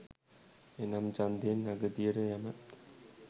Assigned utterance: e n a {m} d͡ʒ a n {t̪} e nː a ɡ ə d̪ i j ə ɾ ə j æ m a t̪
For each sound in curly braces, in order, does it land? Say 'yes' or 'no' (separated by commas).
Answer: yes, no